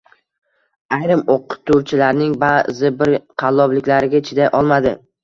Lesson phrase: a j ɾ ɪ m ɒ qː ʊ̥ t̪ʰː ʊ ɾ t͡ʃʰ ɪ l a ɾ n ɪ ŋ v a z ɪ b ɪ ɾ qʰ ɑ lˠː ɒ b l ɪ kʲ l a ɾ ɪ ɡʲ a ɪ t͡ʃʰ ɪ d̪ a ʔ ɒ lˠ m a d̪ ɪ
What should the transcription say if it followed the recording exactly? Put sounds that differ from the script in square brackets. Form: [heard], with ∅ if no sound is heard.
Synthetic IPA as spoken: a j ɾ ɪ m [o] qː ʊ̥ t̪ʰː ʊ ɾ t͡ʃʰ ɪ l a ɾ n ɪ ŋ [b] a z ɪ b ɪ ɾ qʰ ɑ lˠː ɒ b l ɪ kʲ l a ɾ ɪ ɡʲ a ɪ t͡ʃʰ ɪ d̪ a ʔ ɒ lˠ m a d̪ ɪ